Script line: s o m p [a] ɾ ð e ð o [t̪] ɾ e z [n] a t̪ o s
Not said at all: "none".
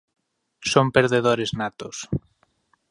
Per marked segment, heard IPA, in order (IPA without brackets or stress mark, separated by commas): e, none, n